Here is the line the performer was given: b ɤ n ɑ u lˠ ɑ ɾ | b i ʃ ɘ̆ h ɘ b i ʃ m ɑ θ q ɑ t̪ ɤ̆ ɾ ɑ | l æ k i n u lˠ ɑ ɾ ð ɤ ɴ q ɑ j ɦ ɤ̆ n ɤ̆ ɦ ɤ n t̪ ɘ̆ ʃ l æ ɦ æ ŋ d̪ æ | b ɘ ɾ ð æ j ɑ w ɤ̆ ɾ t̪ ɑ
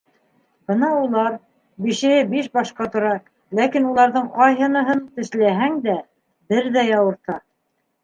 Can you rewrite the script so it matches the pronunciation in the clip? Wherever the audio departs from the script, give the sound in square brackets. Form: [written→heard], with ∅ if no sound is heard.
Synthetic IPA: b ɤ n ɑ u lˠ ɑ ɾ | b i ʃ ɘ̆ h ɘ b i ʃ [m→b] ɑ [θ→ʃ] q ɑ t̪ [ɤ̆→ŏ] ɾ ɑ | l æ k i n u lˠ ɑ ɾ ð ɤ ɴ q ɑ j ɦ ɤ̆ n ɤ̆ ɦ ɤ n t̪ ɘ̆ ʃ l æ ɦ æ ŋ d̪ æ | b ɘ ɾ ð æ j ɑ w ɤ̆ ɾ t̪ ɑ